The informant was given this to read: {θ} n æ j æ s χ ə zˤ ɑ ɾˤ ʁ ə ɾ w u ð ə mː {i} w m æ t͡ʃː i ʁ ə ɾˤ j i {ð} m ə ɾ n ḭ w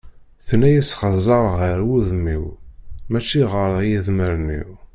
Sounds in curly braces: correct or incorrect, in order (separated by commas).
correct, correct, correct